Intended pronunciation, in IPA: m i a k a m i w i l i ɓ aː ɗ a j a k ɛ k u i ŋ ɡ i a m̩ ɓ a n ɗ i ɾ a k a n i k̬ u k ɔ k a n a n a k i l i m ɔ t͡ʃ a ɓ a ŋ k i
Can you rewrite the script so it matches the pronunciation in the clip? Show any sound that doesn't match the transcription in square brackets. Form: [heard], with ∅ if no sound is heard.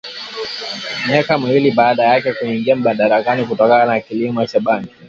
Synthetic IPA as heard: m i a k a m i w i l i ɓ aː ɗ a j a k ɛ k u i ŋ ɡ i a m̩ ɓ a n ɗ [a] ɾ a k a n i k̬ u [t] ɔ k a n a n a k i l i m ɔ t͡ʃ a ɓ a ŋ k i